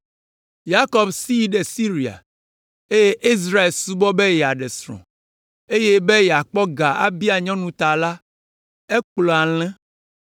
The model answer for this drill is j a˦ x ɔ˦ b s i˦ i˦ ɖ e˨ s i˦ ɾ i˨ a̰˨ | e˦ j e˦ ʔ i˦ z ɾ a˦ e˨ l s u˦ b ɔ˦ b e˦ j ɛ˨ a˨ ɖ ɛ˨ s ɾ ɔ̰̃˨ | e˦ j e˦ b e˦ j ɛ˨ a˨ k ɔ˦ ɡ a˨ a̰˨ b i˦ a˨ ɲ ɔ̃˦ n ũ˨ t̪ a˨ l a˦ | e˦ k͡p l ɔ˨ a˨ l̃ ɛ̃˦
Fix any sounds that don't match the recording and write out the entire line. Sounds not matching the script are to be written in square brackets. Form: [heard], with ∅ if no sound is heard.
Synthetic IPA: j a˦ [k] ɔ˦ b s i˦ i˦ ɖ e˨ s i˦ ɾ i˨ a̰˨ | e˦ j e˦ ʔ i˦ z ɾ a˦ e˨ l s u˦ b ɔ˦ b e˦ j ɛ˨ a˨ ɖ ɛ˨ s ɾ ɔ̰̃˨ | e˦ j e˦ b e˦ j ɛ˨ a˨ [k͡p] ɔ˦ ɡ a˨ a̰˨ b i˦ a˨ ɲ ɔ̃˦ n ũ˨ t̪ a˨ l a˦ | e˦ k͡p l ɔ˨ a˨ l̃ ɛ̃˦